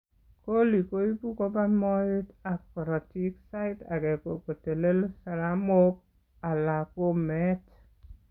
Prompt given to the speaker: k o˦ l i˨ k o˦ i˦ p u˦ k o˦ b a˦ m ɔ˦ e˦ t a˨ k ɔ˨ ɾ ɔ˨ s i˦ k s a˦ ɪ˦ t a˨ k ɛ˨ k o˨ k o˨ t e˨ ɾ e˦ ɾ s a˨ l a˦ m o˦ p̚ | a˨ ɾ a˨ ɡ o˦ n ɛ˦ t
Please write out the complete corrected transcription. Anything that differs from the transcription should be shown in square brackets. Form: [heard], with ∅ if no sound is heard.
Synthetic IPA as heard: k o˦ l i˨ k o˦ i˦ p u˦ k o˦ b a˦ m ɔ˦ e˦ t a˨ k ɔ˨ ɾ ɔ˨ [t] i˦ k s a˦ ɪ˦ t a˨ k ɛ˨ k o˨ k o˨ t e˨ [l] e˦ [l] s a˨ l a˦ m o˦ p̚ | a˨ [l] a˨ [k] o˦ [m] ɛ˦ t